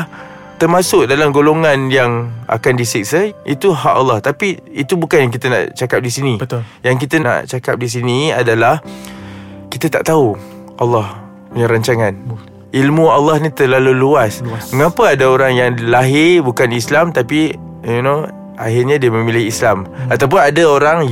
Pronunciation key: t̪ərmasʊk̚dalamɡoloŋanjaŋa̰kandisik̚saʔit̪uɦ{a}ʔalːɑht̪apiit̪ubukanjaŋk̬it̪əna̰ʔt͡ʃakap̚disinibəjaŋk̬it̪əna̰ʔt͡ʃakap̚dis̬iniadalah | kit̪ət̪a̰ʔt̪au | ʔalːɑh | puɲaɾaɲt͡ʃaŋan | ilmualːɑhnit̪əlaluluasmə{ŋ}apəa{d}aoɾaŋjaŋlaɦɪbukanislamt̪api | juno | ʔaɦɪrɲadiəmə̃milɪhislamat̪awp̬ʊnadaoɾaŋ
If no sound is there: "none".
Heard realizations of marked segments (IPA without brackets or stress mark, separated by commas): a, ŋ, d